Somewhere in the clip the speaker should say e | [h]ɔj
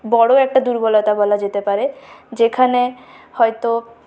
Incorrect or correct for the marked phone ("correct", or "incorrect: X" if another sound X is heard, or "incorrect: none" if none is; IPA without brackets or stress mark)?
correct